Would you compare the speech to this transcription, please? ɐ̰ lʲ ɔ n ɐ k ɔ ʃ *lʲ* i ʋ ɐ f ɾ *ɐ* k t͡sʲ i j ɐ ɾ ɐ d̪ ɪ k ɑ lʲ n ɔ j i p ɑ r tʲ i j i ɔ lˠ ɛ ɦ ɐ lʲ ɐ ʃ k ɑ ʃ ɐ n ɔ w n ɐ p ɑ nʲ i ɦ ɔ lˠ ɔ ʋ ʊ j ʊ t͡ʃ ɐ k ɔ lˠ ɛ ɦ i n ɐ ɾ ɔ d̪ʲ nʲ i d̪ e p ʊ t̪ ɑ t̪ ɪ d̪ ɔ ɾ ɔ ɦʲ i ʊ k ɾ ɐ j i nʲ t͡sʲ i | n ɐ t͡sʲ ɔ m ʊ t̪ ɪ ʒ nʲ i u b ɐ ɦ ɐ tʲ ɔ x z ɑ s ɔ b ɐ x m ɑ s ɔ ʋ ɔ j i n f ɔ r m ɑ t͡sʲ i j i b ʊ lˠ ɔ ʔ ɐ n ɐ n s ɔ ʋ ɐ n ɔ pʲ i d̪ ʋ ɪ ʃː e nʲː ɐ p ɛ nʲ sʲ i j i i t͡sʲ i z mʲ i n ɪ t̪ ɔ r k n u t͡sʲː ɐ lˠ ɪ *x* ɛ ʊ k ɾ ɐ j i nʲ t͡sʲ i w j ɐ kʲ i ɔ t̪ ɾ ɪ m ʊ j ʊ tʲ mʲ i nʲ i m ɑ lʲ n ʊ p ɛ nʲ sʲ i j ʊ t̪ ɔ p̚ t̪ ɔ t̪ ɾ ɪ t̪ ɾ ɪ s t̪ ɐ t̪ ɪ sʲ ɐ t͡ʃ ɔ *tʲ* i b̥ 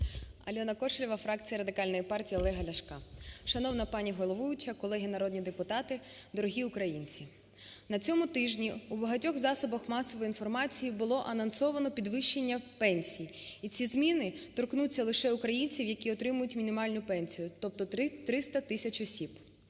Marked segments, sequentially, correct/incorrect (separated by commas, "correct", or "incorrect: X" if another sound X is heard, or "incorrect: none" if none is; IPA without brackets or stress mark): correct, incorrect: ɑ, incorrect: ʃ, incorrect: sʲ